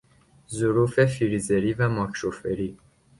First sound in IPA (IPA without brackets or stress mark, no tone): z